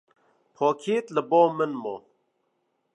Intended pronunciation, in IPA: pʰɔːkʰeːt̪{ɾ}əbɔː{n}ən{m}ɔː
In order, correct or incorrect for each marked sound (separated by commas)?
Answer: incorrect, incorrect, correct